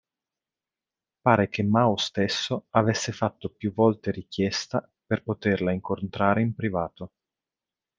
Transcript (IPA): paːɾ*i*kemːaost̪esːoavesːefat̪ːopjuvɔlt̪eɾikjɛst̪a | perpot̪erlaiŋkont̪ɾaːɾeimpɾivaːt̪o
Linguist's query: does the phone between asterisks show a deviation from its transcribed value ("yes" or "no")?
yes